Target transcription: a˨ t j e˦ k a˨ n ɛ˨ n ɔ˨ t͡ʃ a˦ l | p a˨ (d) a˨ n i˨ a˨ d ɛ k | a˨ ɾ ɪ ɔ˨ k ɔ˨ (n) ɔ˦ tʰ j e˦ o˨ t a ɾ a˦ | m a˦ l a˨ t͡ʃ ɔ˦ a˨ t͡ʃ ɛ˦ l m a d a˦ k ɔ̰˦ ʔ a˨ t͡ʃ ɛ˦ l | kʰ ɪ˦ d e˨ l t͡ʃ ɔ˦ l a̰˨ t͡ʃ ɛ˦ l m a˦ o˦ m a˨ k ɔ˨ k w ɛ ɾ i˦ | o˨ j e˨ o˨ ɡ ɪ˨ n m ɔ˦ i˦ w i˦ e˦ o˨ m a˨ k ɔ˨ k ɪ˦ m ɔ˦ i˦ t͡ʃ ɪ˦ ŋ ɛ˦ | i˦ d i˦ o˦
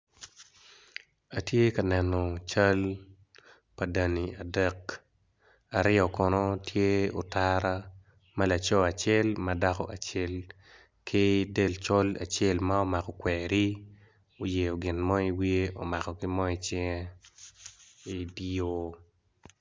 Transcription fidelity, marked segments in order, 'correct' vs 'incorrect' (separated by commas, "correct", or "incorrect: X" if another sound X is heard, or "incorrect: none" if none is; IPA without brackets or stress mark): correct, correct